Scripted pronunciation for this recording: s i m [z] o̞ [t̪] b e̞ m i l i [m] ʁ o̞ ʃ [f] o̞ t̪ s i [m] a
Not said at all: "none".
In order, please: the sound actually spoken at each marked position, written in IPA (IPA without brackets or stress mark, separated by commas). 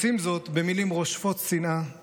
z, t̪, m, f, n